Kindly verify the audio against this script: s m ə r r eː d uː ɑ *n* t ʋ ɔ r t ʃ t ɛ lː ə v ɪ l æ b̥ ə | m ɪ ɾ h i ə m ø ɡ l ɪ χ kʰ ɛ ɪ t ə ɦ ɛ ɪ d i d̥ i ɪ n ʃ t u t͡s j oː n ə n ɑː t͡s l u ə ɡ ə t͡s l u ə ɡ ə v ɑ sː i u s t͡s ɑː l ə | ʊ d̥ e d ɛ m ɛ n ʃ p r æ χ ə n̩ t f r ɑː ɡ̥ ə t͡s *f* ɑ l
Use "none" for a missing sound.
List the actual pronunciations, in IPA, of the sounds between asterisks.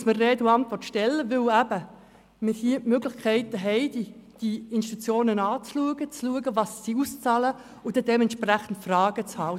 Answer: n, h

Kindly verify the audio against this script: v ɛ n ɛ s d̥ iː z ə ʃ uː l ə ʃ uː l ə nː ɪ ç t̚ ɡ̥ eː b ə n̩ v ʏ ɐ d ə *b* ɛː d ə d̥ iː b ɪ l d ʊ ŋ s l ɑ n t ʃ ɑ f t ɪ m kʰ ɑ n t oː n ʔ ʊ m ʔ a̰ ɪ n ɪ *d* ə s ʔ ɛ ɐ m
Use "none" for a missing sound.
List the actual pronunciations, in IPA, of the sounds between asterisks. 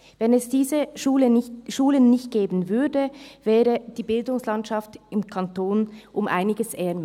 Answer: v, ɡ

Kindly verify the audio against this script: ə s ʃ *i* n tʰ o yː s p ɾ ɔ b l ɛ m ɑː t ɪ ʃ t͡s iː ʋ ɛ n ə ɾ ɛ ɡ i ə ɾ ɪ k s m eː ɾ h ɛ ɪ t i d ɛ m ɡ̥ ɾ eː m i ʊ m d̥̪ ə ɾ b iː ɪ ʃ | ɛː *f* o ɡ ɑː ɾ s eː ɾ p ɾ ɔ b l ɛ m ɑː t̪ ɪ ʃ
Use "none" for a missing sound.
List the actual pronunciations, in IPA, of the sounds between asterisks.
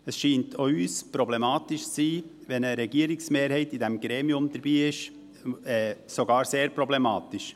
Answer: iː, s

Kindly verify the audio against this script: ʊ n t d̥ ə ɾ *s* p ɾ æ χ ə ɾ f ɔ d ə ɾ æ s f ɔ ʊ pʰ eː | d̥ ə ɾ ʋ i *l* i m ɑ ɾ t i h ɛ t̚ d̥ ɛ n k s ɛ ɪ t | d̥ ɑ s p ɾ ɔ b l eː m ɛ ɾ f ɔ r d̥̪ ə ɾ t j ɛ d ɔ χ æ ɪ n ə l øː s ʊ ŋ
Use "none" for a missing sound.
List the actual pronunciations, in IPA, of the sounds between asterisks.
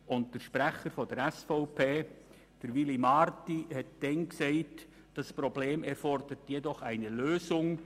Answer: ʃ, l

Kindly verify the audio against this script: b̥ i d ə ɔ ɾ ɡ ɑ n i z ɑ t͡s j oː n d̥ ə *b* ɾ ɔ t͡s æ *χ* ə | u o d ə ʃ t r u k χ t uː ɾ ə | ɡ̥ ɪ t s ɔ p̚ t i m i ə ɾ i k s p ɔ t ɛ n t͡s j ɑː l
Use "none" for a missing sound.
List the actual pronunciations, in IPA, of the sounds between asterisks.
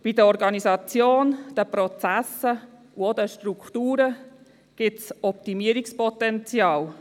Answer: p, s

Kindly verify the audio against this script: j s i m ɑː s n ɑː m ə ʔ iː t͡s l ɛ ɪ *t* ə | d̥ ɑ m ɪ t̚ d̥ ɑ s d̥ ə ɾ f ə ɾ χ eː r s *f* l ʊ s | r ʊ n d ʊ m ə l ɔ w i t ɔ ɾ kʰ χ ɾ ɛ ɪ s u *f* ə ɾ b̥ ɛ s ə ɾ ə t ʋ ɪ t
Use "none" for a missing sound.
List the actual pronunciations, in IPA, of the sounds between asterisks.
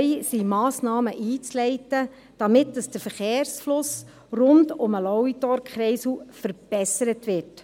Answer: t, f, f

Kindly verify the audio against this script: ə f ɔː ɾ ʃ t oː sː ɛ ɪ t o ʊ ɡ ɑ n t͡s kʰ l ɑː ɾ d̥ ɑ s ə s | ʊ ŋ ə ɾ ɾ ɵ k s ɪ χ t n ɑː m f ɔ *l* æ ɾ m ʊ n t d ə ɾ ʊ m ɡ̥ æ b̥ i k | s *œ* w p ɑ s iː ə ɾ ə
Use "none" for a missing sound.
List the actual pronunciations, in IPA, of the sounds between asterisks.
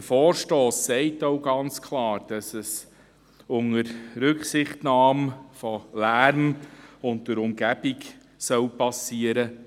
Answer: l, œ

